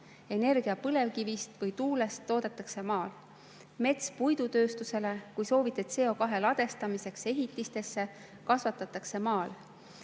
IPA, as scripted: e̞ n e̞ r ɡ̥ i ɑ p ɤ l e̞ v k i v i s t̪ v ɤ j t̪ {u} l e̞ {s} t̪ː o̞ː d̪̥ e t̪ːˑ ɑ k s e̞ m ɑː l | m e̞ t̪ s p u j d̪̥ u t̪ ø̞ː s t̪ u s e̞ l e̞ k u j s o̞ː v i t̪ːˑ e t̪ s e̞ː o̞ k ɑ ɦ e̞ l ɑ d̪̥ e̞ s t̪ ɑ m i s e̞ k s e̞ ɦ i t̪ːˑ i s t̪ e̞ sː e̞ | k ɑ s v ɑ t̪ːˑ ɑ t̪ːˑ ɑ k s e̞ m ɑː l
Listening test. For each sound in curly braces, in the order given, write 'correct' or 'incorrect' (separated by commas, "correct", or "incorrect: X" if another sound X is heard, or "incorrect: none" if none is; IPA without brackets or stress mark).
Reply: incorrect: uː, correct